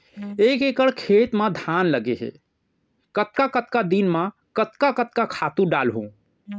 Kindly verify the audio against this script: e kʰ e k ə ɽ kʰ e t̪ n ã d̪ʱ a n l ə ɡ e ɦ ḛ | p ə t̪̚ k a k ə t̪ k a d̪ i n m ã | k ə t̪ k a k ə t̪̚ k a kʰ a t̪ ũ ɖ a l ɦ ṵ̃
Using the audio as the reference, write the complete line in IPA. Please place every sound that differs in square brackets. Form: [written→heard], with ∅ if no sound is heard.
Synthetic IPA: e [kʰ→k] e k ə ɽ kʰ e t̪ [n→m] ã d̪ʱ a n l ə ɡ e ɦ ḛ | [p→k] ə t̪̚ k a k ə t̪ k a d̪ i n m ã | k ə t̪ k a k ə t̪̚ k a kʰ a t̪ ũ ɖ a l ɦ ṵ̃